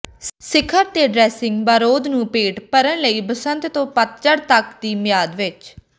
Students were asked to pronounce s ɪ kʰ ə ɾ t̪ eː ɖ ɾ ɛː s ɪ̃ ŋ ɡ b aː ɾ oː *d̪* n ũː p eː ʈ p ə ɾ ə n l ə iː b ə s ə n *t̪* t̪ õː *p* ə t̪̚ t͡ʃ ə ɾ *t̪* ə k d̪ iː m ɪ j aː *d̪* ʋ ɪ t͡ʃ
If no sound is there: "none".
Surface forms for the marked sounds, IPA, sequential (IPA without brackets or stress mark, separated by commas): d̪, t̪, p, t̪, d̪